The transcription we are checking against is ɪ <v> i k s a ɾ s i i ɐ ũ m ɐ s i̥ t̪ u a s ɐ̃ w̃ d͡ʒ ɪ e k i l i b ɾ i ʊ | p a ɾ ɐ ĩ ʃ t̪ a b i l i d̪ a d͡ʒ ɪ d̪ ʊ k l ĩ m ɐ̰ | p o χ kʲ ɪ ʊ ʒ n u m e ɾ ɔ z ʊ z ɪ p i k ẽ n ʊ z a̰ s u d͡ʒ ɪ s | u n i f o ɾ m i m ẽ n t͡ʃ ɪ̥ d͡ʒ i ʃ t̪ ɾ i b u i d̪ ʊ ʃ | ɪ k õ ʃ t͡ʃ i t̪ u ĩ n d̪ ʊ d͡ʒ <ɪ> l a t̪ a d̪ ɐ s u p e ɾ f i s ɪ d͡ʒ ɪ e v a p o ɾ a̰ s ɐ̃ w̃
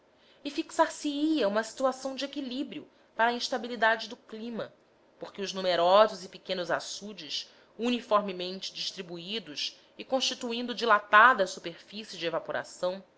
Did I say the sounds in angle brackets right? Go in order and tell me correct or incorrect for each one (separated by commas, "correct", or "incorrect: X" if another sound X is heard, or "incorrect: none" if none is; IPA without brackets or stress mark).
incorrect: f, incorrect: i